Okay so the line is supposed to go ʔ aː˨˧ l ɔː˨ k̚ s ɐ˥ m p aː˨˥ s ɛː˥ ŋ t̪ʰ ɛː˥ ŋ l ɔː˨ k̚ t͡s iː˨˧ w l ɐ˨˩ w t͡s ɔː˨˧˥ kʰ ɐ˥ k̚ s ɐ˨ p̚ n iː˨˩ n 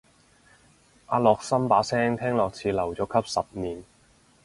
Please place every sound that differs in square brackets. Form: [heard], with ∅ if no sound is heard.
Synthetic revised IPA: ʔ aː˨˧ l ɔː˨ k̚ s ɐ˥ m p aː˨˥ s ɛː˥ ŋ t̪ʰ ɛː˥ ŋ l ɔː˨ k̚ [t͡sʰ] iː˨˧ [∅] l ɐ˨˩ w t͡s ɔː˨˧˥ kʰ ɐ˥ [p̚] s ɐ˨ p̚ n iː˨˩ n